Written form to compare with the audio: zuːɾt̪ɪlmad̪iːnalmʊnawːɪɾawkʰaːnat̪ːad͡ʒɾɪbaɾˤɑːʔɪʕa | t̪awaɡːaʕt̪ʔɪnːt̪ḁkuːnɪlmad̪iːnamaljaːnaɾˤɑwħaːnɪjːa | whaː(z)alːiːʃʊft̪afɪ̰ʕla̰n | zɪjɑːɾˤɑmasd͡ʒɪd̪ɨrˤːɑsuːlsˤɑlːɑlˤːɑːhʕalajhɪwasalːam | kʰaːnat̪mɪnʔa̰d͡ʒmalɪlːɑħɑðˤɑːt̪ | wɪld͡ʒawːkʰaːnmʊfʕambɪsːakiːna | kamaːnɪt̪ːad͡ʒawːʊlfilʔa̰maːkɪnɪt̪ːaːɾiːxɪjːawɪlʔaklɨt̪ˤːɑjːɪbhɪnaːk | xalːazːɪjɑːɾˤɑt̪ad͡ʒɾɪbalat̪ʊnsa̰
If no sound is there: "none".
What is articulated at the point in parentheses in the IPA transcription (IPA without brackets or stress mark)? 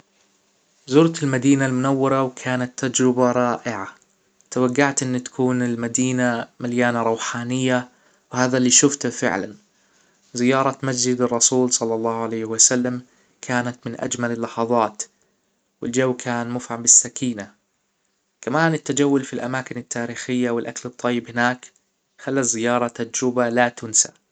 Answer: ð